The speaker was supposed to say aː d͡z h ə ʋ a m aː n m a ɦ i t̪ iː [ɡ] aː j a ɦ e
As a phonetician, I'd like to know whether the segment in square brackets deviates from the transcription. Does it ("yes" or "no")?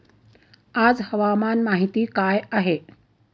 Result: yes